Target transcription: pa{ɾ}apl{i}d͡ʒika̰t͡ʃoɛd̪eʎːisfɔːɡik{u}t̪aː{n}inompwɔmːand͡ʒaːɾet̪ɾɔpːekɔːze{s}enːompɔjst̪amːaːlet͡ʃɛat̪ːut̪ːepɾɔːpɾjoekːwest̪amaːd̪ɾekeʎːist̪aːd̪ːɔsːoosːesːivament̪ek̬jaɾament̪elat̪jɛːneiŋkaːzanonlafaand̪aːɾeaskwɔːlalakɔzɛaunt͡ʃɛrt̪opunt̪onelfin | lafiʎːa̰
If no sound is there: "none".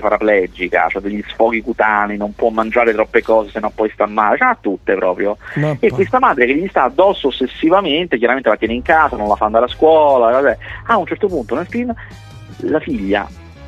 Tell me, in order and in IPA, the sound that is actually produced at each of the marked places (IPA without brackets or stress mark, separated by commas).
ɾ, ɛ, u, n, s